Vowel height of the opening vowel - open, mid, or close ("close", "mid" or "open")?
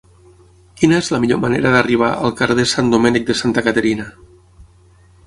close